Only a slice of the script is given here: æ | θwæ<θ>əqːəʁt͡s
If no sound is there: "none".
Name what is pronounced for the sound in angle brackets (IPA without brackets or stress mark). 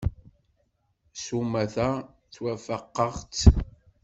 f